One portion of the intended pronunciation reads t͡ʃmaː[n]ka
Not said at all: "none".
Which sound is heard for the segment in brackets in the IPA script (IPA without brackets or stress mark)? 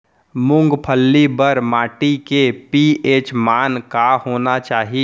n